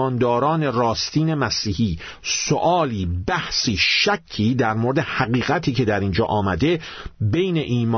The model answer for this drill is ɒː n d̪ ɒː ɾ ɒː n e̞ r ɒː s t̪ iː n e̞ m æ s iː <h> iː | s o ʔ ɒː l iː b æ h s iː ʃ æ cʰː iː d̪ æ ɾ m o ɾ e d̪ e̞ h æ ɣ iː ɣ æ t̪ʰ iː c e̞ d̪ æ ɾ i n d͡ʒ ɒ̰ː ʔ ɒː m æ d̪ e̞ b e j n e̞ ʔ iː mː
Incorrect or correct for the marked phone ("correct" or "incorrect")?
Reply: correct